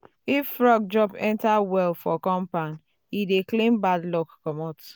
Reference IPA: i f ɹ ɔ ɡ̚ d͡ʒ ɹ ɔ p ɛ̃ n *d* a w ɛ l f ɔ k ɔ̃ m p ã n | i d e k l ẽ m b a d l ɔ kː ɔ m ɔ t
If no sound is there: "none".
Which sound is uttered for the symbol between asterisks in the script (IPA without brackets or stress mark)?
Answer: t